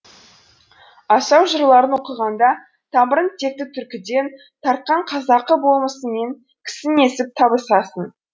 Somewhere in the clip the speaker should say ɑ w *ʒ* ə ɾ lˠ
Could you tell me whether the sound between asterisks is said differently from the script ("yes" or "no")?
no